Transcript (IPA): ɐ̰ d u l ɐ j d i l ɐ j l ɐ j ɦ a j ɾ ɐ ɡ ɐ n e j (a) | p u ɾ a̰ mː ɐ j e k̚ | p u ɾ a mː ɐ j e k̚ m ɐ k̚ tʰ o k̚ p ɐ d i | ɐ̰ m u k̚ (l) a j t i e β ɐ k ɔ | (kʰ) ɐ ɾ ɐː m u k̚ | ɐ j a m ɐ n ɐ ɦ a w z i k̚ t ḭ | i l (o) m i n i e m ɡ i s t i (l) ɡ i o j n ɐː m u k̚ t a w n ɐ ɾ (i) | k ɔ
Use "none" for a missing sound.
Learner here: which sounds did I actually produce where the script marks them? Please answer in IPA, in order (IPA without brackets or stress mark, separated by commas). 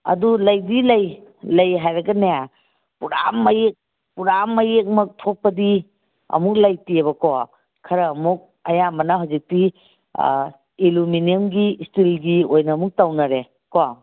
a, l, kʰ, u, l, e